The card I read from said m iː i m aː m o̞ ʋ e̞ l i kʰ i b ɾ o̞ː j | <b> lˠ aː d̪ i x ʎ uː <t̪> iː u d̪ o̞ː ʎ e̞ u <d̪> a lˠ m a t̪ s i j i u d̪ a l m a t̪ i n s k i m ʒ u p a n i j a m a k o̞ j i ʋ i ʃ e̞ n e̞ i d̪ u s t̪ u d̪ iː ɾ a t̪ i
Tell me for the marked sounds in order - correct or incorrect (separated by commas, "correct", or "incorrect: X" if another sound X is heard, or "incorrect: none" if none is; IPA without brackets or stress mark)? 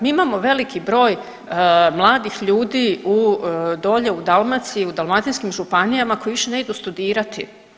incorrect: m, incorrect: d̪, correct